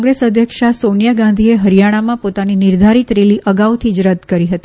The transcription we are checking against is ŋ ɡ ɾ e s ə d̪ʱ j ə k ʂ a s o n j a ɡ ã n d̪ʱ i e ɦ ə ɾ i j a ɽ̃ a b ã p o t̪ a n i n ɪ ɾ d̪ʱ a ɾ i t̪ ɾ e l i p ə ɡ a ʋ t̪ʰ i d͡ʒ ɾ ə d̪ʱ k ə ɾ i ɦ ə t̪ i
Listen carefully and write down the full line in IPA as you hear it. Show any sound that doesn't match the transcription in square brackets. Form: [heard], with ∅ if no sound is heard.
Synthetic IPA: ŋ ɡ ɾ e s ə d̪ʱ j ə k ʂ a s o n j a ɡ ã n d̪ʱ i e ɦ ə ɾ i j a ɽ̃ a [m] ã p o t̪ a n i n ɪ ɾ d̪ʱ a ɾ i t̪ ɾ e l i [ʔ] ə ɡ a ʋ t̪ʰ i d͡ʒ ɾ ə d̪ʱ k ə ɾ i ɦ ə t̪ i